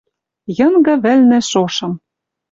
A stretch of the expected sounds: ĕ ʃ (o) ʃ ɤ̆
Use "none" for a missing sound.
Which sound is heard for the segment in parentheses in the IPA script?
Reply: o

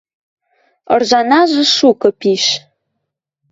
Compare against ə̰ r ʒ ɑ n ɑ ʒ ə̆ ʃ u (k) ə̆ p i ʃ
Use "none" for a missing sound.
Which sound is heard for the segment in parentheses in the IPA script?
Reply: k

